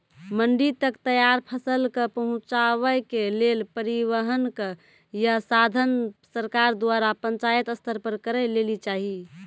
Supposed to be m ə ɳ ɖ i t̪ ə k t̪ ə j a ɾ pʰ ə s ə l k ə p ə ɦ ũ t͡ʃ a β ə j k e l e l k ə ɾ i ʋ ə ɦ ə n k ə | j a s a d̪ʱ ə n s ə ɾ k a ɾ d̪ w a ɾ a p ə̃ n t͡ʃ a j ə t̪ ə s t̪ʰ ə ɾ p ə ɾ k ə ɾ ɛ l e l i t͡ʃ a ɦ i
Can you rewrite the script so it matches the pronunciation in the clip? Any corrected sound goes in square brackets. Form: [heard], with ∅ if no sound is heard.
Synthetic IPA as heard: m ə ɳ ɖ i t̪ ə k t̪ ə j a ɾ pʰ ə s ə l k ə p ə ɦ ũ t͡ʃ a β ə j k e l e l [p] ə ɾ i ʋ ə ɦ ə n k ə | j a s a d̪ʱ ə n s ə ɾ k a ɾ d̪ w a ɾ a p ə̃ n t͡ʃ a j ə t̪ ə s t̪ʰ ə ɾ p ə ɾ k ə ɾ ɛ l e l i t͡ʃ a ɦ i